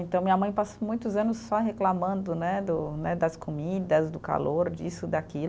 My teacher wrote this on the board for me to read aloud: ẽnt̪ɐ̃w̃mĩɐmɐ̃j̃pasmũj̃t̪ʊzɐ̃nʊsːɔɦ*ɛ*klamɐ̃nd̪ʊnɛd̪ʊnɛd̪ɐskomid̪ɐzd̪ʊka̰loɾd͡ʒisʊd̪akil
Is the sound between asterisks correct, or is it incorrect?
incorrect